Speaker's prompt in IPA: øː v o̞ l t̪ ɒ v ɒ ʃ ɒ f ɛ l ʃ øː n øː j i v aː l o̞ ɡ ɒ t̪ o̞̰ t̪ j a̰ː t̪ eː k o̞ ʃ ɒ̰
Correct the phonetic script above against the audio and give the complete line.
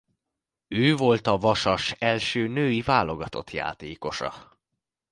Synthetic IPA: øː v o̞ l t̪ ɒ v ɒ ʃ ɒ ʃ ɛ l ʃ øː n øː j i v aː l o̞ ɡ ɒ t̪ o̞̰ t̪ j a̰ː t̪ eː k o̞ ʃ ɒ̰